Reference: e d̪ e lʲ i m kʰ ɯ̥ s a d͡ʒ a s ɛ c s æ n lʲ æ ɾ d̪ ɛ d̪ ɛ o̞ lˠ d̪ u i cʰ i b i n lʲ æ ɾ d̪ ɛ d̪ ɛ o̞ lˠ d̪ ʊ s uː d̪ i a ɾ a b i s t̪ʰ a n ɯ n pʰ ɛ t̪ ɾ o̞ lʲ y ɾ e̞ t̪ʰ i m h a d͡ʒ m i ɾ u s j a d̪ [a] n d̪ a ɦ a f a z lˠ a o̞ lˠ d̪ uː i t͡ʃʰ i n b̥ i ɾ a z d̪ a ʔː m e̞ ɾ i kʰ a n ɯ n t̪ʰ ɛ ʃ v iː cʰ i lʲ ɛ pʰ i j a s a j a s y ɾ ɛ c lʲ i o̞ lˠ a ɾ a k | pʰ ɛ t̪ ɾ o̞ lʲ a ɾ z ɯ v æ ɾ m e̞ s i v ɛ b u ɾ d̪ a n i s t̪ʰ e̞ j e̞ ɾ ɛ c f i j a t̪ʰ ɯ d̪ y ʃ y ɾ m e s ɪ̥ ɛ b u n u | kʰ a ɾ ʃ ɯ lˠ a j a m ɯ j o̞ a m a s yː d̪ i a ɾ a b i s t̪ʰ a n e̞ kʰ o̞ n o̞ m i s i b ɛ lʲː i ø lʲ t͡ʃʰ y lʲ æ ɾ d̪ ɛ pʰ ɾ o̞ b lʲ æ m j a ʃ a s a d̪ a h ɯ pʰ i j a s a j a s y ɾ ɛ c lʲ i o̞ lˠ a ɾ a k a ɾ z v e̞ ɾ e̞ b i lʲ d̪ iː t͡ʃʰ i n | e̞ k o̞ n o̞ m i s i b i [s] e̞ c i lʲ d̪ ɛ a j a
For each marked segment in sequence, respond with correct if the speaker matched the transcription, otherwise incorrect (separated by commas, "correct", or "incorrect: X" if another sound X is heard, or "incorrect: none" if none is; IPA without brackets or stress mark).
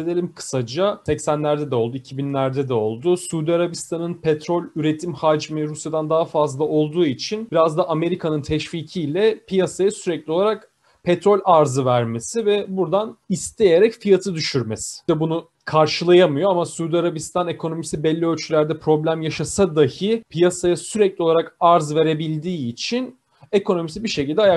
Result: correct, incorrect: ʃ